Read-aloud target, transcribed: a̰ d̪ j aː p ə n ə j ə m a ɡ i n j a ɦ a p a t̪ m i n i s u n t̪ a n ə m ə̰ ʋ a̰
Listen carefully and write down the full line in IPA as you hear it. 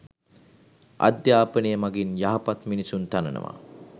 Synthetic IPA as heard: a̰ d̪ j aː p ə n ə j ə m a ɡ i n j a ɦ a p a t̪ m i n i s u n t̪ a n ə n ə̰ ʋ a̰